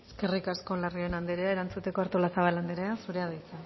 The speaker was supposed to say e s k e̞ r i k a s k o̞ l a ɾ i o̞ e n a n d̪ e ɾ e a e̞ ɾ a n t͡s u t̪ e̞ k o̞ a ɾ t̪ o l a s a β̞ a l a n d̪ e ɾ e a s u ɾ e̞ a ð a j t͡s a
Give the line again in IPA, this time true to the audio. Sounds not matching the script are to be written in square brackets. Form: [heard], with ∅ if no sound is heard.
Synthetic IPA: e s k e̞ r i k a s k o̞ l a [r] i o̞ e n a n d̪ e ɾ e a e̞ ɾ a n t͡s u t̪ e̞ k o̞ a ɾ t̪ o l a s a β̞ a l a n d̪ e ɾ e a s u ɾ e̞ a ð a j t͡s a